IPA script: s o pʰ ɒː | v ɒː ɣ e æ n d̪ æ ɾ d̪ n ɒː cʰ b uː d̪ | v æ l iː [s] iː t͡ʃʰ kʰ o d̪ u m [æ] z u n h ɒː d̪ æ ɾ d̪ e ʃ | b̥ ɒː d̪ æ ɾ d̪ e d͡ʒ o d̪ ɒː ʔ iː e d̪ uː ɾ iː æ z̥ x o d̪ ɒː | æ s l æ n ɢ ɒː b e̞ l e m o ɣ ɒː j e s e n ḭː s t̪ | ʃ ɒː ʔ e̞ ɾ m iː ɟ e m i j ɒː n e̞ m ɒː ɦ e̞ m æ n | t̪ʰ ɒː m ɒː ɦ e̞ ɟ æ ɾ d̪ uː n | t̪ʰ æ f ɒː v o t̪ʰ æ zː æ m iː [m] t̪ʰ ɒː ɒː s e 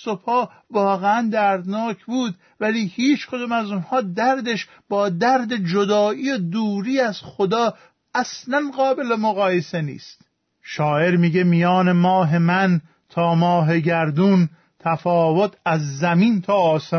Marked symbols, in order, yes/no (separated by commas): no, yes, no